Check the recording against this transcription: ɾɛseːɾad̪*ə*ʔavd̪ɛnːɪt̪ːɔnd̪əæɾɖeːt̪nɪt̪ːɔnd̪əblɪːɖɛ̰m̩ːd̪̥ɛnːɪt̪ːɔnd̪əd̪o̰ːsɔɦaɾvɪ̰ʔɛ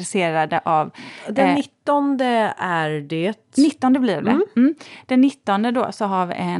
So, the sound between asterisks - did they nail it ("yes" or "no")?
yes